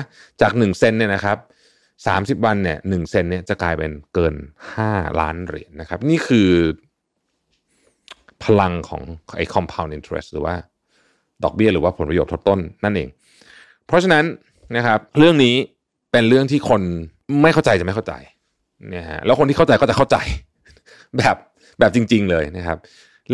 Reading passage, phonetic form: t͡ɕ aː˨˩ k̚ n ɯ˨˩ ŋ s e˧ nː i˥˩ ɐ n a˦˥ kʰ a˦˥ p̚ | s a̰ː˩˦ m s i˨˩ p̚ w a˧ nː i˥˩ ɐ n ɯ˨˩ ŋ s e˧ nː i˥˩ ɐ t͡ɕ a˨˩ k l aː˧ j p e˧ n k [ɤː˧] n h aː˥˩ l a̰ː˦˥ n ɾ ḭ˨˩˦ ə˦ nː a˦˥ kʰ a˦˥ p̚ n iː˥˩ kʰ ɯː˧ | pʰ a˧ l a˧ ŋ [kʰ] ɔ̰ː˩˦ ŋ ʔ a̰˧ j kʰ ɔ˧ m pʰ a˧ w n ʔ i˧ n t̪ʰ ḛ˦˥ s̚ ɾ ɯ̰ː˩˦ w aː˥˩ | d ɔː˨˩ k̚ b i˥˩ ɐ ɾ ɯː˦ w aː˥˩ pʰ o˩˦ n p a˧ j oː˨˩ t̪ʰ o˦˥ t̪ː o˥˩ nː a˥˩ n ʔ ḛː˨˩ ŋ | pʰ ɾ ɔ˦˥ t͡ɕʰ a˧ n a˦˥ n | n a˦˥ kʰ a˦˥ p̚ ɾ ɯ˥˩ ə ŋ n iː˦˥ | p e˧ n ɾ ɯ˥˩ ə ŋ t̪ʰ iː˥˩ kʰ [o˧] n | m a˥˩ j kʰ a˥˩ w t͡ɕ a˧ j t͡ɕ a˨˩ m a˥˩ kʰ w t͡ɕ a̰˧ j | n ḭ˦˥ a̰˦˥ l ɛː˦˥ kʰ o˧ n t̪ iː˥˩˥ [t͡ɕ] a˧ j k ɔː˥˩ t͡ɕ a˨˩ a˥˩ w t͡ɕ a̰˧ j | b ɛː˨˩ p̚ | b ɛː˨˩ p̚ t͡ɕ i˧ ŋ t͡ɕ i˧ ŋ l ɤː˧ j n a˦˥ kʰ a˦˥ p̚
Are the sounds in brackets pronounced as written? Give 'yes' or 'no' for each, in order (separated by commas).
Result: yes, yes, yes, yes